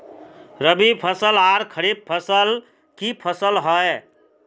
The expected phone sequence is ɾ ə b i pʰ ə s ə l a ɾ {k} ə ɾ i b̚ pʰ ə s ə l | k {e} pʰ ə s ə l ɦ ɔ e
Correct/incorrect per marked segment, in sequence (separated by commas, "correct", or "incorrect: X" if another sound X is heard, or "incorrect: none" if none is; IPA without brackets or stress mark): incorrect: kʰ, incorrect: i